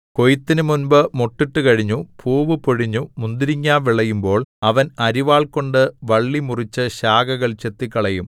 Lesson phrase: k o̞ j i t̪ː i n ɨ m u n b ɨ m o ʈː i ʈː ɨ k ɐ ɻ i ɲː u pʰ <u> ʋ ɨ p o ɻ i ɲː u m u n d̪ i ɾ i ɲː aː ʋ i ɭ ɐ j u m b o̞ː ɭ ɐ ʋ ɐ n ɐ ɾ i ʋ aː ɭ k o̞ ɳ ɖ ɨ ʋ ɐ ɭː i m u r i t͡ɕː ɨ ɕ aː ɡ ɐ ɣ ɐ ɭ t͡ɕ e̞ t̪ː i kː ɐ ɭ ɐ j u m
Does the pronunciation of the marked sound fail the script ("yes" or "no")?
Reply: yes